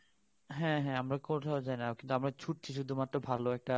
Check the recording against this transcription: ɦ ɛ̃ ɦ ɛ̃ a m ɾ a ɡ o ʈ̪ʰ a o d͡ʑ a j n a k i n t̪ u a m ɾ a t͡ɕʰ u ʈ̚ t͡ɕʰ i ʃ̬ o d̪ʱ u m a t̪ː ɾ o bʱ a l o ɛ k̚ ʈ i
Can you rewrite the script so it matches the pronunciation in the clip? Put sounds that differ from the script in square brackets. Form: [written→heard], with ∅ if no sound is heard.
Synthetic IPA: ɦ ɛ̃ ɦ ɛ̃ a m ɾ a [ɡ→k] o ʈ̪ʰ a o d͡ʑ a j n a k i n t̪ u a m ɾ a t͡ɕʰ u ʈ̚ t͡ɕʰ i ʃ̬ [o→u] d̪ʱ u m a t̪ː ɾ o bʱ a l o ɛ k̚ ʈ [i→a]